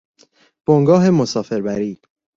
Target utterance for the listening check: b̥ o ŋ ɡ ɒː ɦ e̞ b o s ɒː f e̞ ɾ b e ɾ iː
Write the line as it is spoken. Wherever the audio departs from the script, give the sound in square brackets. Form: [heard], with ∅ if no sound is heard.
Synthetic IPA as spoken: b̥ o ŋ ɡ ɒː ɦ e̞ [m] o s ɒː f e̞ ɾ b [æ] ɾ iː